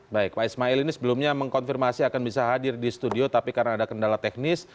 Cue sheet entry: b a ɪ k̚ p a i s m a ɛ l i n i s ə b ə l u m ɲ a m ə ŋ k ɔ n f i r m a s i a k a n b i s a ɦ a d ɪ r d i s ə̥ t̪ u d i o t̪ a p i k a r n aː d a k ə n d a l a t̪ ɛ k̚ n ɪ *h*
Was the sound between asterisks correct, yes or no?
no